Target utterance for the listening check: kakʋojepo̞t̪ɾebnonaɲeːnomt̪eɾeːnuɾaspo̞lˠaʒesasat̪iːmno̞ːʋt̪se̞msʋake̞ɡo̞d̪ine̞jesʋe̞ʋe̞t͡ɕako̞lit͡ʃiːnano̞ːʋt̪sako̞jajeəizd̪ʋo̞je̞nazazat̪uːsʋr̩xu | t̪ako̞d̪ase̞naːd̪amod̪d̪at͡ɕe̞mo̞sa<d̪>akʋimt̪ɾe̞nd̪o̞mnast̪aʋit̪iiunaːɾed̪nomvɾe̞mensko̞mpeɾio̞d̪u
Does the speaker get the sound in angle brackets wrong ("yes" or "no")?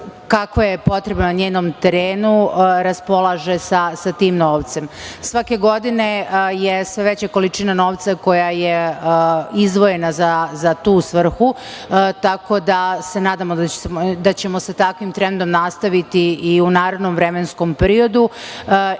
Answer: yes